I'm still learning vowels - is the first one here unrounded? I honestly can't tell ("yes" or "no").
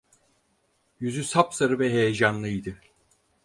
no